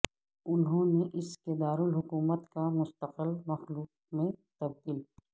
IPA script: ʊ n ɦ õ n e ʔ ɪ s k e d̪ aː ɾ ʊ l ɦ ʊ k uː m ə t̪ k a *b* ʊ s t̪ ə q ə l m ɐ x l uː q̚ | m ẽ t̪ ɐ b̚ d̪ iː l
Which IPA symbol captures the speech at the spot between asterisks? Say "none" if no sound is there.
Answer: m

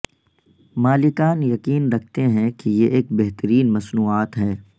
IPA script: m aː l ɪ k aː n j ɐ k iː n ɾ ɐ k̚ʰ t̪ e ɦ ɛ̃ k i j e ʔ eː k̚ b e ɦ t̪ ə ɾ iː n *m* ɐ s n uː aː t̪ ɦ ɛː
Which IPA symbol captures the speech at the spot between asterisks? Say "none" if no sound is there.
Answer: m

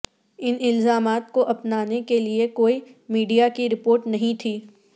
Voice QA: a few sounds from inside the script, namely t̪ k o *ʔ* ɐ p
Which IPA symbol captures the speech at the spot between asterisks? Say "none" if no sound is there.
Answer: ʔ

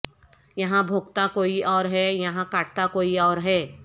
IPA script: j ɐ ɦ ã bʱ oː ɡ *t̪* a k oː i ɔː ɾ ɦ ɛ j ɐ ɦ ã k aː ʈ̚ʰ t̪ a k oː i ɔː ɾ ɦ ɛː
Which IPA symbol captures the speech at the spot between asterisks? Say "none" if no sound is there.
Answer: t̪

